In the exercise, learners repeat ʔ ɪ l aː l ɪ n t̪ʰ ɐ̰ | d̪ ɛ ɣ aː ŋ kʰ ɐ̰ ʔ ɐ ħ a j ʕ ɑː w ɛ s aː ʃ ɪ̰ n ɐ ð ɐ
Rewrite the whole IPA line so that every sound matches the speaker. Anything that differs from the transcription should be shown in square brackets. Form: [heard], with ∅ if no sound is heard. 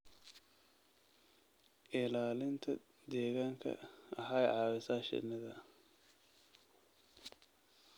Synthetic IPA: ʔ ɪ l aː l ɪ n t̪ʰ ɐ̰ | d̪ [ɛː] ɣ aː ŋ kʰ ɐ̰ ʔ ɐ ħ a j ʕ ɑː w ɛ s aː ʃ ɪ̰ n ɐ ð ɐ

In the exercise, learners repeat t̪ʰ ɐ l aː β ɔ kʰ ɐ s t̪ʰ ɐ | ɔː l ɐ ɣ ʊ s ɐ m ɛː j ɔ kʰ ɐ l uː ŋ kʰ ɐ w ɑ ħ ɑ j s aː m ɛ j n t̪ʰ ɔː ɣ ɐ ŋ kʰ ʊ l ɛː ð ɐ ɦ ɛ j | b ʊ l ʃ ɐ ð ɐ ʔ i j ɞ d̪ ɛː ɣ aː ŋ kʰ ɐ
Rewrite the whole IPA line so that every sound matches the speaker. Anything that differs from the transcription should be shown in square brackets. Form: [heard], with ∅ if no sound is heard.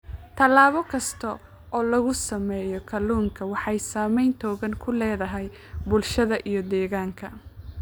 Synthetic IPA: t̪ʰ ɐ l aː β ɔ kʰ ɐ s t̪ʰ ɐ | ɔː l ɐ ɣ ʊ s ɐ m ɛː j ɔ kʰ ɐ l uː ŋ kʰ ɐ w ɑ ħ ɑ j s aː m ɛ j n t̪ʰ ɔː ɣ ɐ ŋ kʰ ʊ l ɛː ð ɐ ɦ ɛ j | b ʊ l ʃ ɐ ð ɐ ʔ i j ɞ d̪ ɛː ɣ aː ŋ kʰ ɐ

